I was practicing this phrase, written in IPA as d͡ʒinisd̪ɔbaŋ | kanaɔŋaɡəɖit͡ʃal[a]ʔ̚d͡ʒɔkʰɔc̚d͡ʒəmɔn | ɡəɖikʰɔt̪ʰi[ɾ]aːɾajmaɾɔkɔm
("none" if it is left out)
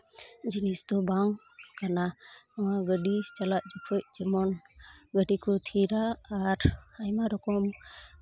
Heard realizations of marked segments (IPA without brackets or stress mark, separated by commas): a, ɾ